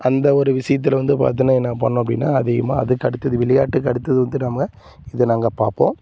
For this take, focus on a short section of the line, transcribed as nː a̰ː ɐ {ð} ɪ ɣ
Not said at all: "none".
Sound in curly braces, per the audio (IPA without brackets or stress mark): ð